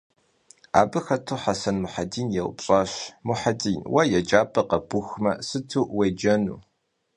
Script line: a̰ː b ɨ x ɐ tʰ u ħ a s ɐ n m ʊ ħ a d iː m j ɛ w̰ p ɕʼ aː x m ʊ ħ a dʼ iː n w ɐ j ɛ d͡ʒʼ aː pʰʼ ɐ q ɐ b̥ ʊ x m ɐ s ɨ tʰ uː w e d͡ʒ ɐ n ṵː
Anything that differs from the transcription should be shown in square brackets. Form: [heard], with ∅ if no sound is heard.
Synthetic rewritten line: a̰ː b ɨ x ɐ tʰ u ħ a s ɐ n m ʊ ħ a d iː [n] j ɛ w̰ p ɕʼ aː [ɕ] m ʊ ħ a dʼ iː n w ɐ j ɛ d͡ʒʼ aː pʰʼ ɐ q ɐ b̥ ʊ x m ɐ s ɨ tʰ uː w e d͡ʒ ɐ n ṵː